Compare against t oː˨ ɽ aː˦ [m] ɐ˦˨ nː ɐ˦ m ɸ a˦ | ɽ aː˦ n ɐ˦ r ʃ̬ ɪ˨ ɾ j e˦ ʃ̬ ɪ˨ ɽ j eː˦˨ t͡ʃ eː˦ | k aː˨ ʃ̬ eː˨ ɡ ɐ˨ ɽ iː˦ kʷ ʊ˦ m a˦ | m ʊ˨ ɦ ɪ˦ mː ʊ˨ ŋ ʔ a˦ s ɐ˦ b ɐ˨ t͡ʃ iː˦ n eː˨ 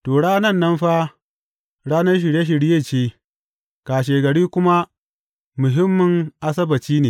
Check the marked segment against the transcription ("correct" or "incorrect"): incorrect